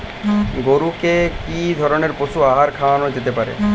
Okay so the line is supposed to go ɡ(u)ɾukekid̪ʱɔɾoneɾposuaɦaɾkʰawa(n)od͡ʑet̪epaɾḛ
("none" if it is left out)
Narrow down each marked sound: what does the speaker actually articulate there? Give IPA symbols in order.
o, n

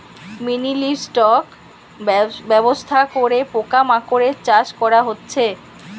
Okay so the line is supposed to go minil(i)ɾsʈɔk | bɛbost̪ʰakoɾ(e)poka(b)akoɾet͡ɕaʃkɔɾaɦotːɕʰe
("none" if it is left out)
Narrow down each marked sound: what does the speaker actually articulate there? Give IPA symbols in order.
i, e, m

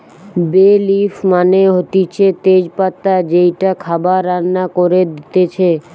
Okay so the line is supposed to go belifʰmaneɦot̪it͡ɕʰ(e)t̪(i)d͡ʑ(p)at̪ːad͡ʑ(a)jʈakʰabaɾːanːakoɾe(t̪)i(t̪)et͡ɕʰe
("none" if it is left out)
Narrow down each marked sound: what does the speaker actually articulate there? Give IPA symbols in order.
e, e, p, e, d̪, t̪

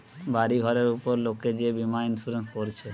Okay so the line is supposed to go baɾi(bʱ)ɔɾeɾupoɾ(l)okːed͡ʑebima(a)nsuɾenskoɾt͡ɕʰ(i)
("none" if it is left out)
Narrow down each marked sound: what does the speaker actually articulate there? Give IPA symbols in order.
ɡʱ, l, i, e

